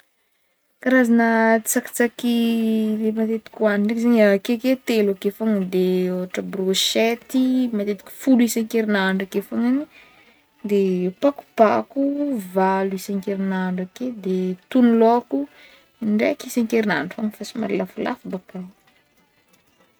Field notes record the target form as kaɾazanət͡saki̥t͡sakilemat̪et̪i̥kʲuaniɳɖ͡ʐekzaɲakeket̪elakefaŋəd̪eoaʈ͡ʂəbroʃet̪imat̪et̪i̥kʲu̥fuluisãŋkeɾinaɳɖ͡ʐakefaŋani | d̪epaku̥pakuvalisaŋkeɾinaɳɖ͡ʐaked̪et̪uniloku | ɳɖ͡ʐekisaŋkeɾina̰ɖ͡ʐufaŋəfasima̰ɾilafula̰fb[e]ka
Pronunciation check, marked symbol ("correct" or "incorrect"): incorrect